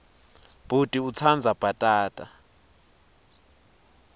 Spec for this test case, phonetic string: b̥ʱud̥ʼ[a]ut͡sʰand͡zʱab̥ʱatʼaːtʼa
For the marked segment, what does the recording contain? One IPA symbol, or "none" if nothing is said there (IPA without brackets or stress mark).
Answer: i